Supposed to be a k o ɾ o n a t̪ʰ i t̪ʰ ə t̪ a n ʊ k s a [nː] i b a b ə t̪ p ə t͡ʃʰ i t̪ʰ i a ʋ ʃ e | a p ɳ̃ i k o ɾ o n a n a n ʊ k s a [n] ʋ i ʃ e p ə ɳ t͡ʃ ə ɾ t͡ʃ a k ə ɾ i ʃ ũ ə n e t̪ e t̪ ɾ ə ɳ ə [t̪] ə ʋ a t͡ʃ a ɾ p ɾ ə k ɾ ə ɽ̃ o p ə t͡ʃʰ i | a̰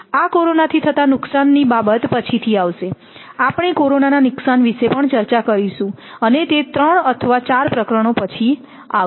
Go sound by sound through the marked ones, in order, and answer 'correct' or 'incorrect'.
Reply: correct, correct, incorrect: t̪ʰ

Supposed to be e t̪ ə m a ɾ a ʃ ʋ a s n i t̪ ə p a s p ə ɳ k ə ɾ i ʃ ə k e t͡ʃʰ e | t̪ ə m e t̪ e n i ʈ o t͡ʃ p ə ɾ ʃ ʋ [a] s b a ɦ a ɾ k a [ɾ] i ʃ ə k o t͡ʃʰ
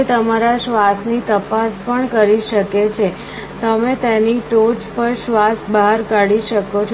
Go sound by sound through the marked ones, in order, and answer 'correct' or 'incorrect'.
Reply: correct, incorrect: ɽ

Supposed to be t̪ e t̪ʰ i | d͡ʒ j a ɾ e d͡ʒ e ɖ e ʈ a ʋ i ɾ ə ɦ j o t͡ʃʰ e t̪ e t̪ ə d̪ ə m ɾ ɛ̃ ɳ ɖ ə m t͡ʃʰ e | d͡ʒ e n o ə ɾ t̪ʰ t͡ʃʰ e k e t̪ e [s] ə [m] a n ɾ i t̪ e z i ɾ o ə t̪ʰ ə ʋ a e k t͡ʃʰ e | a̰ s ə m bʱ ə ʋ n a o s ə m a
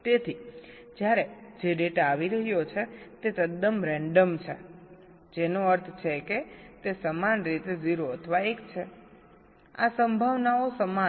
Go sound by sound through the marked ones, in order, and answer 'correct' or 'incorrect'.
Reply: correct, correct

